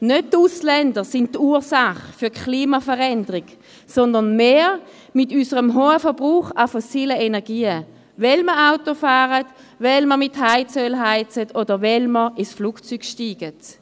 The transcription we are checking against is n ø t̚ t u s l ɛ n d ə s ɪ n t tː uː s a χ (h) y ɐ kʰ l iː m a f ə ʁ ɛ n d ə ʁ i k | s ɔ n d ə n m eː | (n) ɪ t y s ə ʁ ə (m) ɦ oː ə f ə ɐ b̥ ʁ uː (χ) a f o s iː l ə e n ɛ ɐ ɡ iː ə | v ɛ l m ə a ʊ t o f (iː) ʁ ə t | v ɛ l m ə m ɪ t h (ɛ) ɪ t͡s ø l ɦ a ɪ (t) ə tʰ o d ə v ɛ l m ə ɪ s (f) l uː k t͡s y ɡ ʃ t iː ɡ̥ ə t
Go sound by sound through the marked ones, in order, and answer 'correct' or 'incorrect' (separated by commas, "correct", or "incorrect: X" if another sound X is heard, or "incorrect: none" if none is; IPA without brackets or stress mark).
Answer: incorrect: f, incorrect: m, correct, correct, incorrect: aː, incorrect: a, incorrect: t͡s, correct